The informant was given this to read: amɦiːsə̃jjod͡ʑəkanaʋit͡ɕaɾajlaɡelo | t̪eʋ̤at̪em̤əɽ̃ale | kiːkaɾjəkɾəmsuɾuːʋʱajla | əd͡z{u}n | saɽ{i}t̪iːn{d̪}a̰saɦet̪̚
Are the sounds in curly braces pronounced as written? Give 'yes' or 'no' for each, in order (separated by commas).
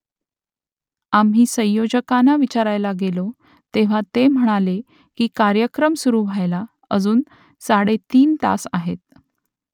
no, no, no